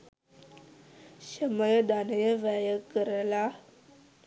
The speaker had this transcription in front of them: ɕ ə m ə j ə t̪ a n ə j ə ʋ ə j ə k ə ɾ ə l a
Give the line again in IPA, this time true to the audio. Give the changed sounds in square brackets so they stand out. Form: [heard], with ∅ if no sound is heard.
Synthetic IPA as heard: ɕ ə m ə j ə [d̪] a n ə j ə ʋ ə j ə k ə ɾ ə l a